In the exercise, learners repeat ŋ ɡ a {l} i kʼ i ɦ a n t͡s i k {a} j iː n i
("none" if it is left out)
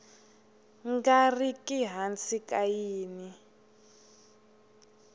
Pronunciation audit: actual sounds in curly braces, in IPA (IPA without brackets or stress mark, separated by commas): r, a